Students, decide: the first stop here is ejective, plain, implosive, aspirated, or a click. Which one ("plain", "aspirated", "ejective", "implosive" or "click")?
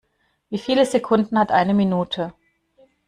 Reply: aspirated